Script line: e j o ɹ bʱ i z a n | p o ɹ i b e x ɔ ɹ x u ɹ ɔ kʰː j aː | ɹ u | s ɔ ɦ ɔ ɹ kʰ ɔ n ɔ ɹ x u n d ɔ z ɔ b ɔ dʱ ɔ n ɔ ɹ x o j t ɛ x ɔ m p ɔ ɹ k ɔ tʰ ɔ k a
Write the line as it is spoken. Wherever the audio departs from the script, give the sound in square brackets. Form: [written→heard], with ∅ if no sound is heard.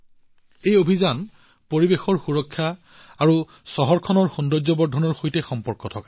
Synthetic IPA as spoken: e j o [ɹ→∅] bʱ i z a n | p o ɹ i b e x ɔ ɹ x u ɹ ɔ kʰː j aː | ɹ u | s ɔ ɦ ɔ ɹ kʰ ɔ n ɔ ɹ x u n d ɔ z ɔ b ɔ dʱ ɔ n ɔ ɹ x o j t ɛ x ɔ m p ɔ ɹ k ɔ tʰ ɔ k a

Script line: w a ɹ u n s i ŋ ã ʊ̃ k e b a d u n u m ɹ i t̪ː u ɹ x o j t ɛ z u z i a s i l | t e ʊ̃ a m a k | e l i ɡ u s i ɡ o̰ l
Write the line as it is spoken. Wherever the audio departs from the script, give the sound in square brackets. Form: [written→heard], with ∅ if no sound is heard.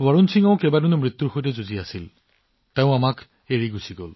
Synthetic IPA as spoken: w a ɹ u n s i ŋ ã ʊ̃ k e b a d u n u m ɹ i t̪ː u ɹ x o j t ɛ z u z i a s i l | t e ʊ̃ a m a k | e [l→ɹ] i ɡ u s i ɡ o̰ l

